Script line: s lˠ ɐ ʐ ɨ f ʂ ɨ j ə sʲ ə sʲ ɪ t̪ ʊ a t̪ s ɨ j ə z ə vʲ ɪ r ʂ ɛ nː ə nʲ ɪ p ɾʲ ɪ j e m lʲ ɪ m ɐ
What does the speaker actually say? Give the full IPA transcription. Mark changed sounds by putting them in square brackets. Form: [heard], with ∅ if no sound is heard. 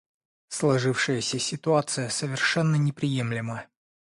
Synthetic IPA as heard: s lˠ ɐ ʐ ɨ f ʂ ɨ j ə sʲ ə sʲ ɪ t̪ ʊ a t̪ s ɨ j ə [s] ə vʲ ɪ r ʂ ɛ nː ə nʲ ɪ p ɾʲ ɪ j e m lʲ ɪ m [ə]